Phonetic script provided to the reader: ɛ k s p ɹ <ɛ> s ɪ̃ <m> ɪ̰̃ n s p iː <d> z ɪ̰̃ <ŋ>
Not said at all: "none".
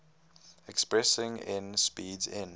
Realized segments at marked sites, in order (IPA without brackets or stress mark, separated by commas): ɛ, ŋ, d, n